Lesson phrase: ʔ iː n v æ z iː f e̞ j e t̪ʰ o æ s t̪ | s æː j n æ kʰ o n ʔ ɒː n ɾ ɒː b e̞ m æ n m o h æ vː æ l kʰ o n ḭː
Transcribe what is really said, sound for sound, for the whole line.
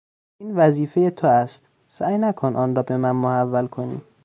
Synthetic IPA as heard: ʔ iː n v æ z iː f e̞ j e t̪ʰ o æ s t̪ | s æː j n æ kʰ o n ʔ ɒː n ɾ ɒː b e̞ m æ n m o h æ vː æ l kʰ o n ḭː